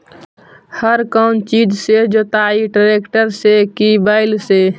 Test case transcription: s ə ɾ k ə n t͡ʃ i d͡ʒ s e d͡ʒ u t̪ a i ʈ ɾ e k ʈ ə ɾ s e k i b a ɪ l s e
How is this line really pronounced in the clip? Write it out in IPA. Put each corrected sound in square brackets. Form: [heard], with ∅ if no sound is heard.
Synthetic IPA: [h] ə ɾ k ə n t͡ʃ i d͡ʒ s e d͡ʒ [o] t̪ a i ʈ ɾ e k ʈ ə ɾ s e k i b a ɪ l s e